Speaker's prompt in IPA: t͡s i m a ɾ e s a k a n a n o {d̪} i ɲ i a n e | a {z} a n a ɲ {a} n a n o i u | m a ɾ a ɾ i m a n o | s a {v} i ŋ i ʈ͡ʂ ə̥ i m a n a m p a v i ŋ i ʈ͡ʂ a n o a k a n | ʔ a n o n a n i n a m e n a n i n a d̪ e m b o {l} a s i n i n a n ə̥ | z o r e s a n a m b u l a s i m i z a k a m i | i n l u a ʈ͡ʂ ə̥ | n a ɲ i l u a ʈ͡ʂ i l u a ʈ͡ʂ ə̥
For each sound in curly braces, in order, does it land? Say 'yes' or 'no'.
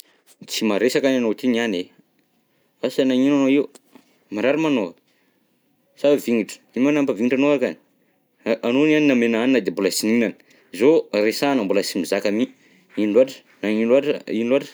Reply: no, no, no, yes, yes

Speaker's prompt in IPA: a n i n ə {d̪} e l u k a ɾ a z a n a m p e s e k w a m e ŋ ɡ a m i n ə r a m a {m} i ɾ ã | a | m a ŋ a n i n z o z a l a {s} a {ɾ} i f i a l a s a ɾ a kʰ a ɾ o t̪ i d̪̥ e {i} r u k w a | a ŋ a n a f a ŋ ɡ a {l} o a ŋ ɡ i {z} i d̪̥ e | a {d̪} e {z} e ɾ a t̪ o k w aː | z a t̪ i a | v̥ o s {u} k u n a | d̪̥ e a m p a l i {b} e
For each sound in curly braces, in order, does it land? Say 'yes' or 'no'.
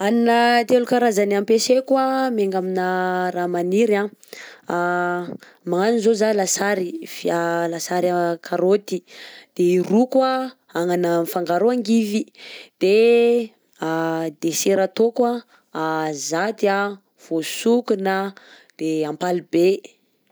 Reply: no, no, yes, yes, yes, no, no, yes, no, yes, yes

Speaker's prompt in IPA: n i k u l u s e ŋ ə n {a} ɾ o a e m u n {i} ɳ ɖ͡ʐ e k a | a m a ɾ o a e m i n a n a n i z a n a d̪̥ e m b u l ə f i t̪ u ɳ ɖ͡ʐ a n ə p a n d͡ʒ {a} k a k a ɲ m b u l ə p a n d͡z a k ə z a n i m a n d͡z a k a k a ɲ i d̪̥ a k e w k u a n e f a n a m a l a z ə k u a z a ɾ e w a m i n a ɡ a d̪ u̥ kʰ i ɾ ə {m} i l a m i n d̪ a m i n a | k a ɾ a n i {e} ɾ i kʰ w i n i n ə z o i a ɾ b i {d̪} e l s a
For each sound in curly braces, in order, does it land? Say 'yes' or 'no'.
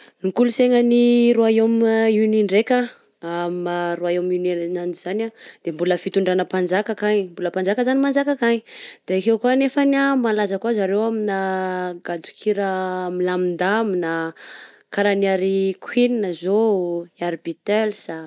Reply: no, yes, yes, yes, no, no

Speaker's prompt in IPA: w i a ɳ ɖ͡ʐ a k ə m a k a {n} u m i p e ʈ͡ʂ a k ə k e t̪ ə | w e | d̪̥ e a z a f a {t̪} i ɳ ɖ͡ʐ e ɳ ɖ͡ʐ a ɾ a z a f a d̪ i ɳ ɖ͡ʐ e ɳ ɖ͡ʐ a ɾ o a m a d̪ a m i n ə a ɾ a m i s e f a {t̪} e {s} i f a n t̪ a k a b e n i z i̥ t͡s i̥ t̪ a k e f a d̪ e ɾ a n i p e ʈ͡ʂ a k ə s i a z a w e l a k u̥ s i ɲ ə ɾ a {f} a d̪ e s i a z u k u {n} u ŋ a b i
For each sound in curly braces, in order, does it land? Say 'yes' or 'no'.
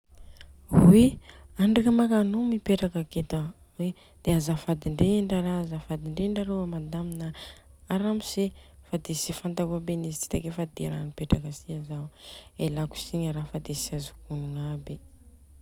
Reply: yes, no, no, yes, yes, yes

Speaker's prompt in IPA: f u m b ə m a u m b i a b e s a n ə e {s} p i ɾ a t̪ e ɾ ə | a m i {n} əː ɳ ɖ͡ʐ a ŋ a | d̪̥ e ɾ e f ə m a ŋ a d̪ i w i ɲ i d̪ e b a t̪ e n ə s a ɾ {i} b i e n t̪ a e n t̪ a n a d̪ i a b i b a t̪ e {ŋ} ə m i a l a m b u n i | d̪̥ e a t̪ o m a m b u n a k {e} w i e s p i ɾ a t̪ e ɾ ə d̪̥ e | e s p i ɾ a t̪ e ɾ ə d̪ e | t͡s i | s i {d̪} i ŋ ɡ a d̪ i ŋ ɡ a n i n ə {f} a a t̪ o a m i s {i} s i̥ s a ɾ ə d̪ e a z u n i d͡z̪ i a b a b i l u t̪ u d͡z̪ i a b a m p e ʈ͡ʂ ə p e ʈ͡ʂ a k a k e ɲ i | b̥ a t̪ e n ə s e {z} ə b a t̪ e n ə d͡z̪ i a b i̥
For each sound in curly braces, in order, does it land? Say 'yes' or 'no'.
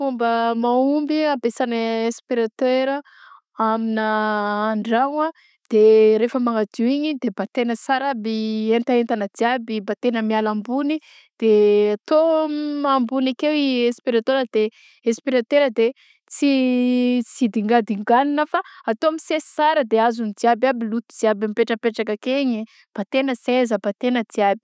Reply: yes, yes, no, no, yes, yes, yes, no, yes

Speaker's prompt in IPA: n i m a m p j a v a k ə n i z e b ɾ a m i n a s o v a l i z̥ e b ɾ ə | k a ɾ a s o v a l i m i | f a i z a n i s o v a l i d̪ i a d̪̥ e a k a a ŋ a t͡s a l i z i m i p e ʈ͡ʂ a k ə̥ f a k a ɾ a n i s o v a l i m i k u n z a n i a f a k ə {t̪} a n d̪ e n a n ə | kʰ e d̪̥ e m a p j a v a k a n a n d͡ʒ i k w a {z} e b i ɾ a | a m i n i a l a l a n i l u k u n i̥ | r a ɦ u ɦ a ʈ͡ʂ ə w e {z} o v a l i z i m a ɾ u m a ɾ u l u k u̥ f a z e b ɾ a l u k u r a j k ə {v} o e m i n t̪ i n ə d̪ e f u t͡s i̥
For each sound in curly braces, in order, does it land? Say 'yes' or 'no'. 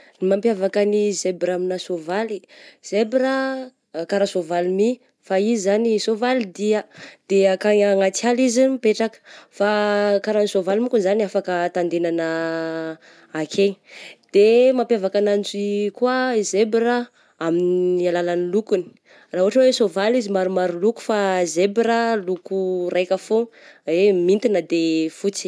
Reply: yes, yes, no, no

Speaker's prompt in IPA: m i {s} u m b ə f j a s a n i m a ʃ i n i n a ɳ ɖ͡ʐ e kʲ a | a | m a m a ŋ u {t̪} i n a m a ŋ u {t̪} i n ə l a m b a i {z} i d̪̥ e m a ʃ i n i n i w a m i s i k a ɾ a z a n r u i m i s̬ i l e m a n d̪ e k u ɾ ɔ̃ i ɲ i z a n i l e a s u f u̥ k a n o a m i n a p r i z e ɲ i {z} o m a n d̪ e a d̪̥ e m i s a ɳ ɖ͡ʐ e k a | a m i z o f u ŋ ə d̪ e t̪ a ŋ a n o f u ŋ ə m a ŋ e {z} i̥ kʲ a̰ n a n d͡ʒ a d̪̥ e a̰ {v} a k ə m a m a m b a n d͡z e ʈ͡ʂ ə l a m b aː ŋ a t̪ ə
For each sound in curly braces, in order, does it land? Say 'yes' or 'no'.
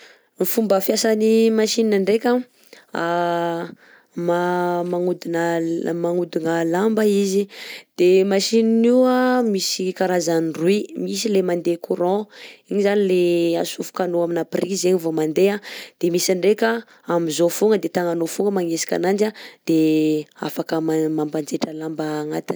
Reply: no, no, no, yes, no, no, no

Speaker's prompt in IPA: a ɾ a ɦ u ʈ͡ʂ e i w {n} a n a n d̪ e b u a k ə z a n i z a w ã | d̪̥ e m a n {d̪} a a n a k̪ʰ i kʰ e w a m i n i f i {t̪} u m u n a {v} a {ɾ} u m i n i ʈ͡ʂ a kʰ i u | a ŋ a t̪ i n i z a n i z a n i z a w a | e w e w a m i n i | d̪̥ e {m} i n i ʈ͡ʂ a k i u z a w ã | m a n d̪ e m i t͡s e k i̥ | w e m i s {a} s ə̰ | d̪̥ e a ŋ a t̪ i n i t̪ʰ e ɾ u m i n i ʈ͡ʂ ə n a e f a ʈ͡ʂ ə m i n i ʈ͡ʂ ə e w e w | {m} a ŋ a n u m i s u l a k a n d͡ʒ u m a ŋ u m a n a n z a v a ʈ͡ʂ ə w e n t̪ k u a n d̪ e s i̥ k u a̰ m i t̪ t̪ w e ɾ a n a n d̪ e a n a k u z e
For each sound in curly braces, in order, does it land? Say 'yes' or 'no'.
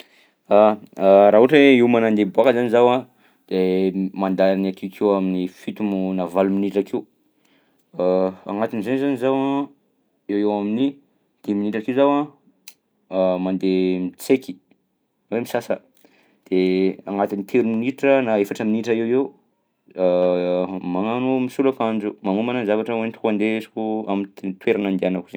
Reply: no, yes, yes, yes, no, yes, yes, yes

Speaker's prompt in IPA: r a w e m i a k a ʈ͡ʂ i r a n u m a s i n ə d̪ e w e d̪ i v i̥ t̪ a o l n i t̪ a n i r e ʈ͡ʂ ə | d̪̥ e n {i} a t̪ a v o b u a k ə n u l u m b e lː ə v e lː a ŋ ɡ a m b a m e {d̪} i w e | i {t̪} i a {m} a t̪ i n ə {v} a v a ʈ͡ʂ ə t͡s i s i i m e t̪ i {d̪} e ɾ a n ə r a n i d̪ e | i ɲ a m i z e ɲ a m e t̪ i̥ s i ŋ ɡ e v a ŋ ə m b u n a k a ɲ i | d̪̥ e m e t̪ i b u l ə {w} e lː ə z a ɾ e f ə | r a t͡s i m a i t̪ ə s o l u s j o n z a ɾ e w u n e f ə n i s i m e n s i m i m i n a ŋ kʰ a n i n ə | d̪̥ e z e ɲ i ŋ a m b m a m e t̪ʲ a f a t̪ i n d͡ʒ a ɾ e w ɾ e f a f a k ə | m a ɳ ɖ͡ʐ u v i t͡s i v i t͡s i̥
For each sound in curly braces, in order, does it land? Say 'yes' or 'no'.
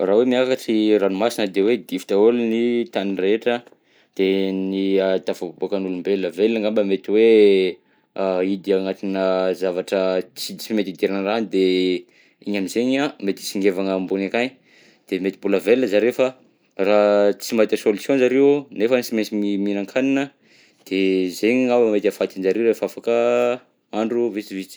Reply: yes, no, no, no, no, yes, no

